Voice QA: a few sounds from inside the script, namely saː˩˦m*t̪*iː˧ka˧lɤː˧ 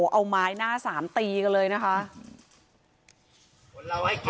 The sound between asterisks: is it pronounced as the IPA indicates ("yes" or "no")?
yes